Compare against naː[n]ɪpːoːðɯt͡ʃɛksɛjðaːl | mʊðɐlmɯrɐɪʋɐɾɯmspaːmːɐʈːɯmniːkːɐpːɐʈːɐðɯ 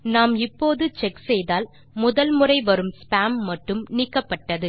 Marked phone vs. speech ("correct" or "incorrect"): incorrect